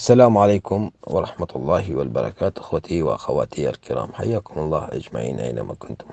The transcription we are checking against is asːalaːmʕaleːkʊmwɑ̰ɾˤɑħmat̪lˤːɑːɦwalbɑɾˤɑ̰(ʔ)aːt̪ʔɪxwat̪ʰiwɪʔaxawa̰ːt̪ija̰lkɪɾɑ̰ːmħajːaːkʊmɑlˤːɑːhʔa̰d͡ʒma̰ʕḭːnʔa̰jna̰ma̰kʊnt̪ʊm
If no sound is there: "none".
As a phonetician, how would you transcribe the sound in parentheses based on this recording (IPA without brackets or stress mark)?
k